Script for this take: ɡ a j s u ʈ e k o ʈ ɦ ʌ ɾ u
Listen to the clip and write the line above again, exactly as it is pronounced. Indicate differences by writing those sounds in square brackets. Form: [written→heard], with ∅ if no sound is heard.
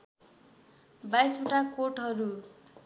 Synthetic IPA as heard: [ɡ→b] a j s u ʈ [e→a] k o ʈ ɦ ʌ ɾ u